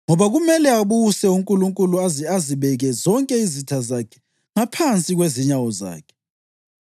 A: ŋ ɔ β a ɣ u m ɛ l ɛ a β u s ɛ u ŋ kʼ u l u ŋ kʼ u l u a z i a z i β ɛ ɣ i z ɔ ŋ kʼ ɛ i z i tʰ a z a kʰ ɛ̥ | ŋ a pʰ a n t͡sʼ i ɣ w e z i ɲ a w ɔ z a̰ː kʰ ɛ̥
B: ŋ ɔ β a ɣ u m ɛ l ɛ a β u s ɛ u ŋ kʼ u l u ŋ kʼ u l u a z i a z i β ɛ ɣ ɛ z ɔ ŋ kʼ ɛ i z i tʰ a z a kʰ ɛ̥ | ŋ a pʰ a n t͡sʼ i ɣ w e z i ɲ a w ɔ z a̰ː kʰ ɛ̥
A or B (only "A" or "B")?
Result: B